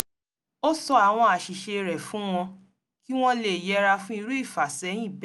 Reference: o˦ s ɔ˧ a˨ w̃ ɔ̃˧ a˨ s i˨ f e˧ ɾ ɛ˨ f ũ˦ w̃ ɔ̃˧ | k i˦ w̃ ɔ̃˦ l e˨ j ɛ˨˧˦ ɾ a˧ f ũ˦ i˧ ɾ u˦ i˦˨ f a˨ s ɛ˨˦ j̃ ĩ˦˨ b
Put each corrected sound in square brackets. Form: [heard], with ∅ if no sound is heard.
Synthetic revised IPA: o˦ s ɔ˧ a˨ w̃ ɔ̃˧ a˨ [ʃ] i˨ [ʃ] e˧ ɾ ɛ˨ f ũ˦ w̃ ɔ̃˧ | k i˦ w̃ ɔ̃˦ l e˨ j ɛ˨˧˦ ɾ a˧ f ũ˦ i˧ ɾ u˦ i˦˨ f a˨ s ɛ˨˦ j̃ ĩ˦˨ b